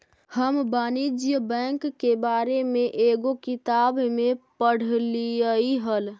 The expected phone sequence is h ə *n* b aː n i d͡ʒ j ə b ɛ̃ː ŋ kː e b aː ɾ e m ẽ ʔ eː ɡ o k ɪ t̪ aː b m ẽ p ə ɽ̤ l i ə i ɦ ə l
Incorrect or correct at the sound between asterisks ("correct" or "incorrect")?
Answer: incorrect